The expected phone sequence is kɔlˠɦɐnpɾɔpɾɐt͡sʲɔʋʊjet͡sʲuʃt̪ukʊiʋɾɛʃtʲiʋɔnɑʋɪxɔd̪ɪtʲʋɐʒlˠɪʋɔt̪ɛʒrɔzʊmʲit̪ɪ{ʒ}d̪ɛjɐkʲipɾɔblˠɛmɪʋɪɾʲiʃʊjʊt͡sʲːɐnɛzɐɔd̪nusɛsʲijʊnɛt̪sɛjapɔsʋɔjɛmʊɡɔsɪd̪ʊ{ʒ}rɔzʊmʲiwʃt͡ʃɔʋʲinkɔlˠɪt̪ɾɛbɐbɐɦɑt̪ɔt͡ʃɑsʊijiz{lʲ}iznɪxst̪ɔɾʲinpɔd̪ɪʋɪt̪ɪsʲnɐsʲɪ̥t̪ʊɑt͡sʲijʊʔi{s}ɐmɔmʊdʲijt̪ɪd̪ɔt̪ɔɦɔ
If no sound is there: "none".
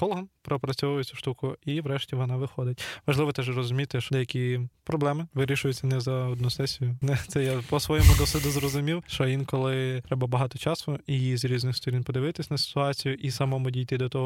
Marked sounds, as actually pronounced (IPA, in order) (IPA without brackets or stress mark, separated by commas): ʃ, z, ɾʲ, s